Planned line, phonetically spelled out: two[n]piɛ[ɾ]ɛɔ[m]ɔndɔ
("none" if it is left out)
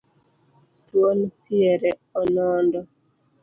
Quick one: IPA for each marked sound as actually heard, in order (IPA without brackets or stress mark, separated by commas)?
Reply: n, ɾ, n